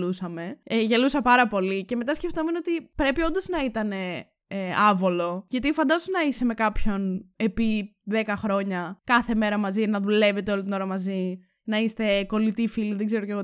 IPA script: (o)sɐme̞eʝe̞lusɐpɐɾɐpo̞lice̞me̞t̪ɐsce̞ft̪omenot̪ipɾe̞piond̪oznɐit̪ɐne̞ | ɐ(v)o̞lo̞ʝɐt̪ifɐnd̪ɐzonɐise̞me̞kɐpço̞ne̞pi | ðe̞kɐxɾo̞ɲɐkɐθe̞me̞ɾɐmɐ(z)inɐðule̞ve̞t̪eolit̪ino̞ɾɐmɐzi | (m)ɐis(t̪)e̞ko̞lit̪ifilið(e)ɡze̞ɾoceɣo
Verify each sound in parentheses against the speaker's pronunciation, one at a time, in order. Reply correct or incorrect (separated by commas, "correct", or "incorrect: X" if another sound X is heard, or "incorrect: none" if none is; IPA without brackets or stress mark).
incorrect: u, correct, correct, incorrect: n, correct, correct